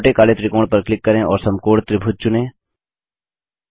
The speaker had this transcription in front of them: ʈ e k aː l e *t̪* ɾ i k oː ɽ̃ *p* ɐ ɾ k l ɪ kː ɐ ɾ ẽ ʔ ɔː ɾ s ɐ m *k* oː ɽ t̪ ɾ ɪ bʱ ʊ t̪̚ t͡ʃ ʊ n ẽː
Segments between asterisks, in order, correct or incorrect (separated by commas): correct, correct, correct